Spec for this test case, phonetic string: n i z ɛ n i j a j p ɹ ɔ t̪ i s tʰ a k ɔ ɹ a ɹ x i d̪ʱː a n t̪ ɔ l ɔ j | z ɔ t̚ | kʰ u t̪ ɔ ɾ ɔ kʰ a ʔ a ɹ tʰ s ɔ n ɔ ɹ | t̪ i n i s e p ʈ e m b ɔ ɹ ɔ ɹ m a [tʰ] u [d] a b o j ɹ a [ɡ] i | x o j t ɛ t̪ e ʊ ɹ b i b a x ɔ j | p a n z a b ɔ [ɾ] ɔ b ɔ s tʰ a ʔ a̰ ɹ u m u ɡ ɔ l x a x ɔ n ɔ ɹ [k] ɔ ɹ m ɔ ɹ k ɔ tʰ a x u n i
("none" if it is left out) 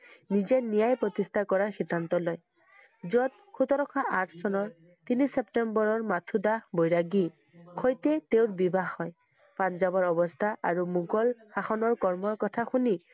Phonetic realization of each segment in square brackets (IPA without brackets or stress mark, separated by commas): tʰ, d, ɡ, ɹ, k